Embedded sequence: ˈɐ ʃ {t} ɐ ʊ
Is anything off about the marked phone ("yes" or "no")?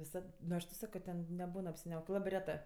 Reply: no